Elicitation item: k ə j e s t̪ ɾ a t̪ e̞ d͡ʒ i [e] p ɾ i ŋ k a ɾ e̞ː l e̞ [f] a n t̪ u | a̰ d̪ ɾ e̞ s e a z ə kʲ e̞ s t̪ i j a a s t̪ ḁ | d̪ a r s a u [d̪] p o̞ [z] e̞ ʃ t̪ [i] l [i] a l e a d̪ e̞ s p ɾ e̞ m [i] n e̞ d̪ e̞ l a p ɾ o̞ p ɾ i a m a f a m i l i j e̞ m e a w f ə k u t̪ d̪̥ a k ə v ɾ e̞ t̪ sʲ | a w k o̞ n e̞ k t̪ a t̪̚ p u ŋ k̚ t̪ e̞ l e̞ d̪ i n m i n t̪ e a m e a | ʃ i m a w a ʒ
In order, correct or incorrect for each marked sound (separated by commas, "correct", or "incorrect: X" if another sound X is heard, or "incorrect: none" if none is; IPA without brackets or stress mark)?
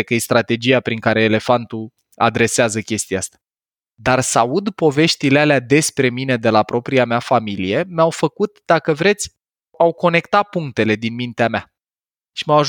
incorrect: a, correct, correct, incorrect: v, correct, incorrect: e, correct